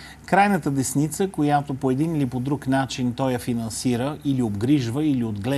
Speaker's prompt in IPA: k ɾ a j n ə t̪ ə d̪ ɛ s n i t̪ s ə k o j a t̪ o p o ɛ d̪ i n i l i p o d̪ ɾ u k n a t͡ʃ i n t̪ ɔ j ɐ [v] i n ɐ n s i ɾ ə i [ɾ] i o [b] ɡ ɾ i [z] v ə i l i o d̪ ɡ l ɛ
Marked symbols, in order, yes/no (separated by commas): no, no, yes, no